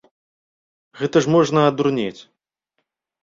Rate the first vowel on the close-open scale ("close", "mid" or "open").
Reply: mid